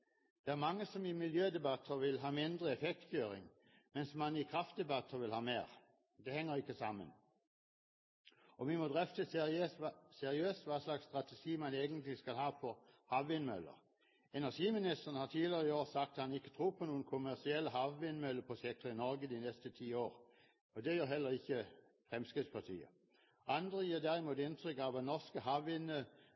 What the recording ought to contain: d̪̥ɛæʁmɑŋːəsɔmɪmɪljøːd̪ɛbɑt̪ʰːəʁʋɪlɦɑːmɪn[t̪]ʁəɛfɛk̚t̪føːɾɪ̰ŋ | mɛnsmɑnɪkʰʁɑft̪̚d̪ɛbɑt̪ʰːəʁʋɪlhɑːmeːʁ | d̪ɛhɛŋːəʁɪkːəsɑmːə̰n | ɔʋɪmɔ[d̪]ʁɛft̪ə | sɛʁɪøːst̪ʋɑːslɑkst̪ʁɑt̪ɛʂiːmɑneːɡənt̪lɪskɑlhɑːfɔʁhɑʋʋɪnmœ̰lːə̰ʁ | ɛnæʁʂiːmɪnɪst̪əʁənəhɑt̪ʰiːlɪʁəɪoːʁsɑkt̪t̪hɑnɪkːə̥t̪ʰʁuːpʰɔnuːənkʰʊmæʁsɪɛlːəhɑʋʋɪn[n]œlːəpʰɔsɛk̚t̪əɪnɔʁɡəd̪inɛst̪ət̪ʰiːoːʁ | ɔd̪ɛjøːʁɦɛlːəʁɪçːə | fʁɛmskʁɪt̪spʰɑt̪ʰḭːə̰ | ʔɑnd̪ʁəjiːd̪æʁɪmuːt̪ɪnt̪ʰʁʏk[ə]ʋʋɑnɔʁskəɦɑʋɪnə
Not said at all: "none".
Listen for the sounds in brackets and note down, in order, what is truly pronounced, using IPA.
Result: d̪, d̪, m, ɑ

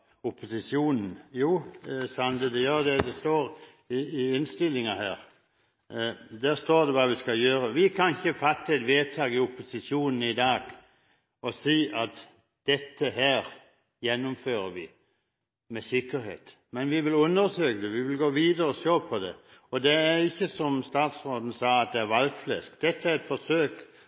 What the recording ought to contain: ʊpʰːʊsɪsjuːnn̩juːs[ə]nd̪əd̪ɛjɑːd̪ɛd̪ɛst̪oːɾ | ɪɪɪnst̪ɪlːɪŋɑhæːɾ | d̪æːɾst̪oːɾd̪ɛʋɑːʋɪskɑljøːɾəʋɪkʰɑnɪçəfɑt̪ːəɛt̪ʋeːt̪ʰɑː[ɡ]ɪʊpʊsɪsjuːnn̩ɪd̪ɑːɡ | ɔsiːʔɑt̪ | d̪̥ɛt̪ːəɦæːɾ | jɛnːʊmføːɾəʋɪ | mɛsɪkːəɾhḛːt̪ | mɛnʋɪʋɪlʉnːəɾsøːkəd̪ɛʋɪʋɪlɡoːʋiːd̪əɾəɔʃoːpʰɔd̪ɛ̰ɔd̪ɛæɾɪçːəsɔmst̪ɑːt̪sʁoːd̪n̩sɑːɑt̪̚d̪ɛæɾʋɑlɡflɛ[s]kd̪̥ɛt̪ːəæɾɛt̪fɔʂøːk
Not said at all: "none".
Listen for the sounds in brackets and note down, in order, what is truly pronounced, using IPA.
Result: ɑ, ɡ, s

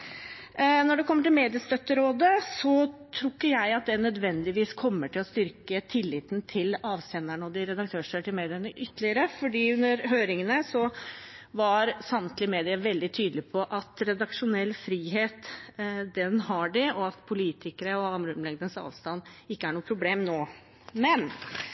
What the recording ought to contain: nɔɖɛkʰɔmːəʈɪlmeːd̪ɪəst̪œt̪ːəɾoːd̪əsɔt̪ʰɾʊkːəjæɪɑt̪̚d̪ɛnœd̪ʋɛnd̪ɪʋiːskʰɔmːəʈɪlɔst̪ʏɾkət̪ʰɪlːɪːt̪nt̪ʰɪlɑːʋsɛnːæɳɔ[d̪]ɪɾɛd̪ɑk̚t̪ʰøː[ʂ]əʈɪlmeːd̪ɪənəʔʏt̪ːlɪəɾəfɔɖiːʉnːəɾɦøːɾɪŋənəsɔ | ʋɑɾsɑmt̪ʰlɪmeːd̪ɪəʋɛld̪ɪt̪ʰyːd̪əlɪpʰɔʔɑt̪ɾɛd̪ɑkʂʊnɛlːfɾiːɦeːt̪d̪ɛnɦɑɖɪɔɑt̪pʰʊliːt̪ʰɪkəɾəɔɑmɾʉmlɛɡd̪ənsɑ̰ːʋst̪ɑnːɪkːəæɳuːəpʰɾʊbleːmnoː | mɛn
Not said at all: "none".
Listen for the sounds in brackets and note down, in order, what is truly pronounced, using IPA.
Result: d̪, ʂ

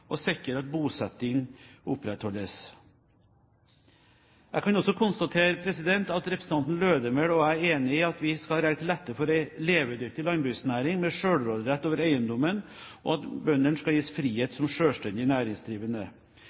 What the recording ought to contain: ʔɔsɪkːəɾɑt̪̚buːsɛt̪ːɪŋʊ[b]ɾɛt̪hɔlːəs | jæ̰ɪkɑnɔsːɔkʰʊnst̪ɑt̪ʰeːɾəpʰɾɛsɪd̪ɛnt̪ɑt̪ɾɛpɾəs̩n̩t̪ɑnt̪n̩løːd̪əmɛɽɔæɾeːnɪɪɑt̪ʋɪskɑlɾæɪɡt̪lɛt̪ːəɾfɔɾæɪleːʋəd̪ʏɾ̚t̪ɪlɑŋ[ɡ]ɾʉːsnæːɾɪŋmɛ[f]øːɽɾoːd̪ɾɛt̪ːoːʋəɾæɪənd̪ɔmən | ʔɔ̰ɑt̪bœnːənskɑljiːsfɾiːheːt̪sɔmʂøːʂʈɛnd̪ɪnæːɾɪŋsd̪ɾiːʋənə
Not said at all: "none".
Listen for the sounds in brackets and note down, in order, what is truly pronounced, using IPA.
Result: p, b, ʂ

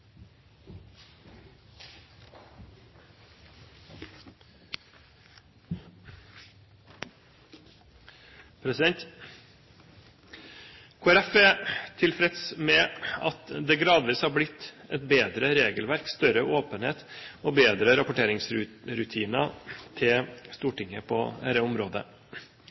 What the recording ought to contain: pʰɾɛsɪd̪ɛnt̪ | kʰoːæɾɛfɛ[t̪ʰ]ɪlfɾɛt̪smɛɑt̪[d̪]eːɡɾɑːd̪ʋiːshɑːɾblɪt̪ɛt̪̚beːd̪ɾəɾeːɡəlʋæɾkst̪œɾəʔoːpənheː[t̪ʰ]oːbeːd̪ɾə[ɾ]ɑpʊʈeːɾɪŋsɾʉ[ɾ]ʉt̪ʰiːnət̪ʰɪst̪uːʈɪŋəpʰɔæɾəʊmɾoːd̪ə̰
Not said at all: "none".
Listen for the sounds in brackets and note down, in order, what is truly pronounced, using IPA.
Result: t̪ʰ, d̪, t̪, ɾ, ɾ

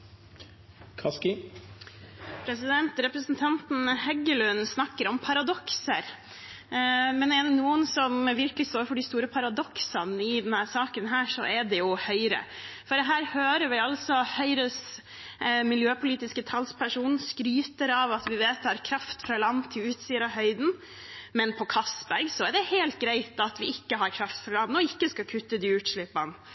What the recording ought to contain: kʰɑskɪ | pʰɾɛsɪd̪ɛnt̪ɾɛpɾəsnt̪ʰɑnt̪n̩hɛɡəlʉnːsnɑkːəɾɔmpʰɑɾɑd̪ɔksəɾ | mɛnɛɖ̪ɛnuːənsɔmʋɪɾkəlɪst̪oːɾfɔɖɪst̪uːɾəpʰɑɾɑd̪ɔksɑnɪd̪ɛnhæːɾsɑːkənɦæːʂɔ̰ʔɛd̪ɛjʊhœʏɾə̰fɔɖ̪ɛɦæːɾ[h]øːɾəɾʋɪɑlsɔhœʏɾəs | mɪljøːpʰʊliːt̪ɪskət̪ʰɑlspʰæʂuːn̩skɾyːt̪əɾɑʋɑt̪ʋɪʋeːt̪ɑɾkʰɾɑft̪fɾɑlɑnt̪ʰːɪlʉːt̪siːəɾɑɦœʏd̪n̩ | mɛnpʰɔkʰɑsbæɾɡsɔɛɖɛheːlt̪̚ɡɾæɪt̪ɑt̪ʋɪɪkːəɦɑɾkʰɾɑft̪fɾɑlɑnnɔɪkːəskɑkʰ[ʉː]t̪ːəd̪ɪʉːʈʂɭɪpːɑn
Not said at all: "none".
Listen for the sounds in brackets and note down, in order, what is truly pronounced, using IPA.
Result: h, ʉ

